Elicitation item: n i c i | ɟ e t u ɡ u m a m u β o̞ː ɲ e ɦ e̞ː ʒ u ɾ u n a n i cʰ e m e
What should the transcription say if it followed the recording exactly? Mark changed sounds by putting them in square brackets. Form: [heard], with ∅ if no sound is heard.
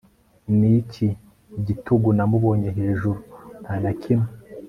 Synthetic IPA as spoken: n i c i | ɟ [i] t u ɡ u [n] a m u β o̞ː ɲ e ɦ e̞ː ʒ u ɾ u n a n [a] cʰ [i] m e